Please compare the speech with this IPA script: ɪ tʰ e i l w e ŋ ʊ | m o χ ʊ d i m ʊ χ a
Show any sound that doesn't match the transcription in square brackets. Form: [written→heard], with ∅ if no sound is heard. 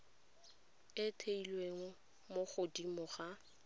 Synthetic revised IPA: ɪ tʰ e i l w e ŋ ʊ | m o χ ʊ d i m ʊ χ a